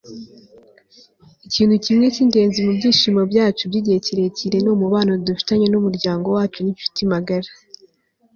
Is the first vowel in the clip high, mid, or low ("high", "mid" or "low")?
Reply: high